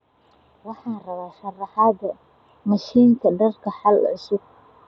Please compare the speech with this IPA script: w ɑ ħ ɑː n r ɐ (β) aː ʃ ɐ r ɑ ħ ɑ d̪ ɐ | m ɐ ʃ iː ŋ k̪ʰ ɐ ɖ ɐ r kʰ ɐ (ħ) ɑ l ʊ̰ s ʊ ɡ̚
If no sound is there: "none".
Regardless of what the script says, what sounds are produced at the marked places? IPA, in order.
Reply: β, ħ

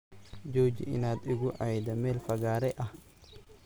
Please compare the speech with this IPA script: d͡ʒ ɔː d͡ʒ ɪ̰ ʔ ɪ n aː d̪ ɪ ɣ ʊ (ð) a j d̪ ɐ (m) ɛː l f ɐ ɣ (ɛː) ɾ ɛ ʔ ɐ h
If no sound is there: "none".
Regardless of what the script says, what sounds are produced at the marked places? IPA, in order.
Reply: ʕ, m, aː

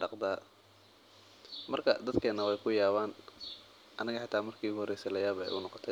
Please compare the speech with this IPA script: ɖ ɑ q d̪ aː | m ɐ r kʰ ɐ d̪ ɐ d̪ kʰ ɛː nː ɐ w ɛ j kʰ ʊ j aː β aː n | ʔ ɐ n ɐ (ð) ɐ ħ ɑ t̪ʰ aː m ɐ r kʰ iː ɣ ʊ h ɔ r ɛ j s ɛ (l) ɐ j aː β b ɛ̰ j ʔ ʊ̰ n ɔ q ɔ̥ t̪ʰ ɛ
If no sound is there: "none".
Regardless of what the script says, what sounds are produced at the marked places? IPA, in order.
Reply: ɣ, l

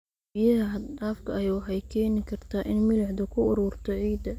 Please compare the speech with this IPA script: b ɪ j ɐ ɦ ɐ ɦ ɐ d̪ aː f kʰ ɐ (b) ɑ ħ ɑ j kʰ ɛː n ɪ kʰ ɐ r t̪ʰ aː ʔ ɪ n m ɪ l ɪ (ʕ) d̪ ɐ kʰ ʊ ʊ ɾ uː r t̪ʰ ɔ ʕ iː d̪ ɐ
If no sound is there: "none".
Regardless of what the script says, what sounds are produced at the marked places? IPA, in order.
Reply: w, ʕ

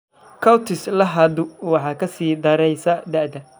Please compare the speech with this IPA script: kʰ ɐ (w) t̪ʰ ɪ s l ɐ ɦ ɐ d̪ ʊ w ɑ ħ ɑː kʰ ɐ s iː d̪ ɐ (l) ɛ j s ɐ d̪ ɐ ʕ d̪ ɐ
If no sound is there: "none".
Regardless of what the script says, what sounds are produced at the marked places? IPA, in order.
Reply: w, ɾ

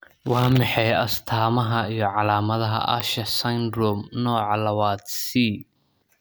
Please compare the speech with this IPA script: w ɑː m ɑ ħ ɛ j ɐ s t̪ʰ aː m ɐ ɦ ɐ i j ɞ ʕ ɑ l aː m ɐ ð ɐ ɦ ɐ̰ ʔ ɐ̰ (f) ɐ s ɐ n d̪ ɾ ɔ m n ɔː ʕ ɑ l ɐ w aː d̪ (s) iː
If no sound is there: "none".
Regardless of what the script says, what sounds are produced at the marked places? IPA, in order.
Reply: ʃ, s

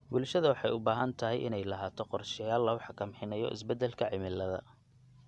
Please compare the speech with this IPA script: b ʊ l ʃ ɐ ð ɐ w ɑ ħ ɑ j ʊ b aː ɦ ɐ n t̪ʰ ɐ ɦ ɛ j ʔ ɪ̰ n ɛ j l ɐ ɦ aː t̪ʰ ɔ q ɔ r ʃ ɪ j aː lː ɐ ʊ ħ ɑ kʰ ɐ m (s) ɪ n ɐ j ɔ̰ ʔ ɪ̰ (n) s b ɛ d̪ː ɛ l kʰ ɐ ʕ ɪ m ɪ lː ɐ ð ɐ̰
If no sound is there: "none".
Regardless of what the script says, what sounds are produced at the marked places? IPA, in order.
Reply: ħ, none

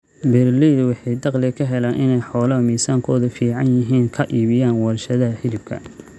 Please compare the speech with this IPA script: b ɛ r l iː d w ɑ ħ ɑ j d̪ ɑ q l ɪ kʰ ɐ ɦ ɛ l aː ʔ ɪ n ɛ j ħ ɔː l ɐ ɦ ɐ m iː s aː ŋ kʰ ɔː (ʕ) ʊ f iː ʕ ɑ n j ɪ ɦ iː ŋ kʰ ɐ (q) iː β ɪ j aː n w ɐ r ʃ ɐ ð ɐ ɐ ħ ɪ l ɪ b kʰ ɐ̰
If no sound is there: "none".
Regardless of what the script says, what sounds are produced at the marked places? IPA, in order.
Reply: ð, ʔ

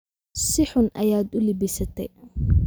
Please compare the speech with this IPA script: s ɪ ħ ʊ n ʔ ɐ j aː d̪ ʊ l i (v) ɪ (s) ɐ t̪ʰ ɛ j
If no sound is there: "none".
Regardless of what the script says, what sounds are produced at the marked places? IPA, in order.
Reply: b, s

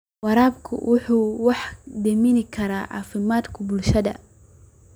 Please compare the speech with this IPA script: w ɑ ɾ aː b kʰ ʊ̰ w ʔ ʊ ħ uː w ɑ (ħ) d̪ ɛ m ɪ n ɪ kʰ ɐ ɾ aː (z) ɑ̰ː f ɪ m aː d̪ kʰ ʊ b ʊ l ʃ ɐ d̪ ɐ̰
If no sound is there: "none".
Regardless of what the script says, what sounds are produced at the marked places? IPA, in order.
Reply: ħ, ʕ

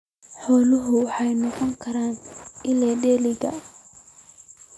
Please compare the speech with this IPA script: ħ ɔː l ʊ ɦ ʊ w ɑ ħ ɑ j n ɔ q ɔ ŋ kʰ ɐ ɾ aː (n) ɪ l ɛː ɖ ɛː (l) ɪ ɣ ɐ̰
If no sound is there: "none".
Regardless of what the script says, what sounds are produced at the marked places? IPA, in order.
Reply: n, l

